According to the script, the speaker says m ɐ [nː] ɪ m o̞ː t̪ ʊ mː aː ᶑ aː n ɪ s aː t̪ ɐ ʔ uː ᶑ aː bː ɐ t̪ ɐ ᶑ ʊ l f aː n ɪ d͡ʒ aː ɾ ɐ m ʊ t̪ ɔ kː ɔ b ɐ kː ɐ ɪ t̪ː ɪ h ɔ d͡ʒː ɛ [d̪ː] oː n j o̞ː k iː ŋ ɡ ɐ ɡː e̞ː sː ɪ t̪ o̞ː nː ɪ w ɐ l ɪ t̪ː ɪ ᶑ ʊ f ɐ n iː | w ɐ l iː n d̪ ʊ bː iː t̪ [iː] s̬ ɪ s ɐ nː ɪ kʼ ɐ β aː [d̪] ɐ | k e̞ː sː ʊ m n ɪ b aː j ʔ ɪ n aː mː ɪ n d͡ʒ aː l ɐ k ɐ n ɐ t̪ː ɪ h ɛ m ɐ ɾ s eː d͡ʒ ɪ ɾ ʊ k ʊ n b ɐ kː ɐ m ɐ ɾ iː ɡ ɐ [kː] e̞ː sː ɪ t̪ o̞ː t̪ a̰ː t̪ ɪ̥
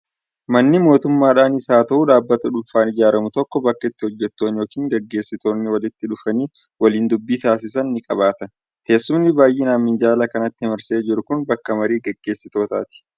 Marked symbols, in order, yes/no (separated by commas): yes, no, no, no, no